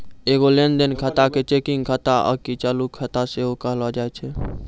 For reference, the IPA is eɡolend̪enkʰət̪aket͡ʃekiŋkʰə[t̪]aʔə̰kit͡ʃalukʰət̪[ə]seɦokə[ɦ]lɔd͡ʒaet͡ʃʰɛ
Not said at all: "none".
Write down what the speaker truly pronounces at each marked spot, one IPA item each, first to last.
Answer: t̪, a, ɦ

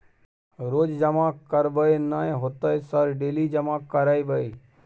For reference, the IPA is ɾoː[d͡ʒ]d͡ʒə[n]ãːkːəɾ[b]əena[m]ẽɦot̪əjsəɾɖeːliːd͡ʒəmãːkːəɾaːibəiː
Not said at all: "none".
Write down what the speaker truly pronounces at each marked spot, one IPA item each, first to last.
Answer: d͡ʒ, m, b, none

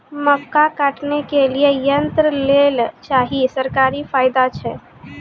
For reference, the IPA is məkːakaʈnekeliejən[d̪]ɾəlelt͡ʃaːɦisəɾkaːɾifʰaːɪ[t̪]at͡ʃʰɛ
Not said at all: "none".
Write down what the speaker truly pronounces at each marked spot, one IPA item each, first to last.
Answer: t̪, d̪

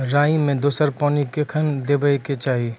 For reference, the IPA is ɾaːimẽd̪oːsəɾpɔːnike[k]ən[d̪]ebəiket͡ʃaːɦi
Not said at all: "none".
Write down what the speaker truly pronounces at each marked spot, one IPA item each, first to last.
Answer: kʰ, d̪

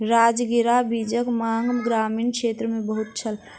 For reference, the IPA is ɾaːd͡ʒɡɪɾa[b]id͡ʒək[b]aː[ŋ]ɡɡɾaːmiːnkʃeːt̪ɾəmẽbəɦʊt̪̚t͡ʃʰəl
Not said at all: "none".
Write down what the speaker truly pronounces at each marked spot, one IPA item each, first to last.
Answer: b, m, ŋ

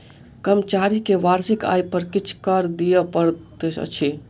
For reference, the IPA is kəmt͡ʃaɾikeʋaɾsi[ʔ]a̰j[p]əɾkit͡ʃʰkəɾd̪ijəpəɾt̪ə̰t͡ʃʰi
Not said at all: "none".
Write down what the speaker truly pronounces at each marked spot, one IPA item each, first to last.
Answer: k, p

